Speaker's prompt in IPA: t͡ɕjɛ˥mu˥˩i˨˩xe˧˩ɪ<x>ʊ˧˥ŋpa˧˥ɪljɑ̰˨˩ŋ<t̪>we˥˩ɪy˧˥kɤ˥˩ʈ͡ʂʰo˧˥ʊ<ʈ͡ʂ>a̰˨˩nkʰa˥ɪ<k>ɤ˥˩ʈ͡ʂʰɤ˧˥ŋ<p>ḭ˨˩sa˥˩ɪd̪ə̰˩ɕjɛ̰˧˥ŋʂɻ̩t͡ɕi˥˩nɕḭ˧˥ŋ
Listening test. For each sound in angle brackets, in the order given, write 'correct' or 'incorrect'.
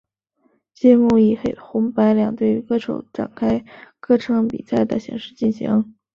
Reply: correct, correct, correct, correct, correct

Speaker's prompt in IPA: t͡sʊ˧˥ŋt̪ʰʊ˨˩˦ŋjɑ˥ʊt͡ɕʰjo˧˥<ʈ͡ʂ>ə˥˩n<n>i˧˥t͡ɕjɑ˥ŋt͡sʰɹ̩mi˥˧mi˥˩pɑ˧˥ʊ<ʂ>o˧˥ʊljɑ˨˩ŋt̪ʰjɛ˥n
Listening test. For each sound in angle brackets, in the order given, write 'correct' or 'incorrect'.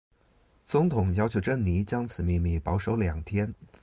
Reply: correct, correct, correct

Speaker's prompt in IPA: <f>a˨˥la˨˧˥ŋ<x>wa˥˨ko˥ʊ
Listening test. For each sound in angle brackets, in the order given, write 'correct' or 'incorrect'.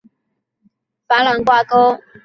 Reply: correct, incorrect

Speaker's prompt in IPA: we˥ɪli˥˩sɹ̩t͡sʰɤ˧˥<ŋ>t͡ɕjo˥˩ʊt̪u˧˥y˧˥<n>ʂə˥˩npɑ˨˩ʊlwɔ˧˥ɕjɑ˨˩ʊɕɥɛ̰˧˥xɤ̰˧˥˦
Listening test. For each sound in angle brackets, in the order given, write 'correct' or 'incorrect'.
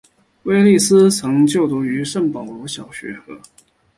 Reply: correct, incorrect

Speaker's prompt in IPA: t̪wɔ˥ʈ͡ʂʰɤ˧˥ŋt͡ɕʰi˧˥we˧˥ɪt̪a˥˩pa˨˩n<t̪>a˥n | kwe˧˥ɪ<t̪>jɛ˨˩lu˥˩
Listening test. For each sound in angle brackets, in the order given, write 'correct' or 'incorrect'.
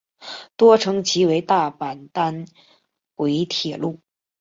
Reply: correct, incorrect

